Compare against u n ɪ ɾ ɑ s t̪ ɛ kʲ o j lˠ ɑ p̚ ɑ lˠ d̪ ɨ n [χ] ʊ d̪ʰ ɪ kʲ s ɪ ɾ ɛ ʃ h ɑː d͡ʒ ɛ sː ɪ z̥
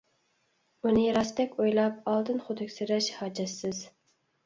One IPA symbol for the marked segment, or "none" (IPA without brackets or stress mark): χ